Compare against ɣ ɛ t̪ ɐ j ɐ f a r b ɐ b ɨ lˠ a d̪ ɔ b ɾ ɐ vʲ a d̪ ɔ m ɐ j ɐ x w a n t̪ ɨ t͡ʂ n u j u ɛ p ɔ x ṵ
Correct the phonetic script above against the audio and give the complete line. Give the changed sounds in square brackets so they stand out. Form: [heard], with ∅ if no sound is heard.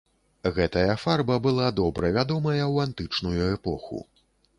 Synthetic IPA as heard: ɣ ɛ t̪ ɐ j ɐ f a r b ɐ b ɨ lˠ a d̪ ɔ b ɾ ɐ vʲ a d̪ ɔ m ɐ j ɐ [∅] w a n t̪ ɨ t͡ʂ n u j u ɛ p ɔ x ṵ